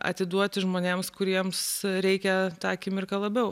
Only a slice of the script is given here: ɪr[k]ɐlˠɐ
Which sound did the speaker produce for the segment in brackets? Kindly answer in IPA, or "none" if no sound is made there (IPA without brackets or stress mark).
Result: k